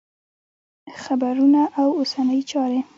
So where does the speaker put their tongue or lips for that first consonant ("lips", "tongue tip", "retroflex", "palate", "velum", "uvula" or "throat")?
velum